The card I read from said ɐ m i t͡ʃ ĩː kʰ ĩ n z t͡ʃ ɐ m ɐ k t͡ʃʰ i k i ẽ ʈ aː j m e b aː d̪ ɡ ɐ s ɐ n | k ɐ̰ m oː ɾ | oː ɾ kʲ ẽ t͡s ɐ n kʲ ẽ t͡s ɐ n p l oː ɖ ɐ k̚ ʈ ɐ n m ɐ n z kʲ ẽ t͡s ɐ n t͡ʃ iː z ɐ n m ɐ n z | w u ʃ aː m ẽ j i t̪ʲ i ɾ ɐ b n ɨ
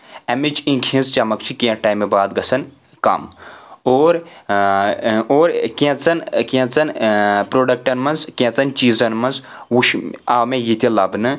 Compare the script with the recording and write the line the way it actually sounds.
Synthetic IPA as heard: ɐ m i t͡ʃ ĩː kʰ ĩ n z t͡ʃ ɐ m ɐ k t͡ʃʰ i k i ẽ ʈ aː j m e b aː d̪ ɡ ɐ s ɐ n | k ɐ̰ m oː ɾ | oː ɾ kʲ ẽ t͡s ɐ n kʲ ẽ t͡s ɐ n p ɾ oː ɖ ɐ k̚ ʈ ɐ n m ɐ n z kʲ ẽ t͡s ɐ n t͡ʃ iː z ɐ n m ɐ n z | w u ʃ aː m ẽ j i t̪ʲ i l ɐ b n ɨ